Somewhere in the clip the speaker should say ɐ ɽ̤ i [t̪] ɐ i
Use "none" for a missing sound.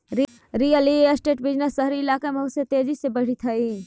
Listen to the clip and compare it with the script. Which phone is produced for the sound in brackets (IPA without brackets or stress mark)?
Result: t̪ʰ